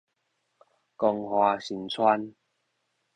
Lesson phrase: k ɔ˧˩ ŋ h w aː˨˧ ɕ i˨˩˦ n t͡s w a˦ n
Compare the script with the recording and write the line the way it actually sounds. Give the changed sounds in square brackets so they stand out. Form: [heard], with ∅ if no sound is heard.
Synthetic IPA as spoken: k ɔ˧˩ ŋ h w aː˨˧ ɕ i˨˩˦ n [t͡sʰ] w a˦ n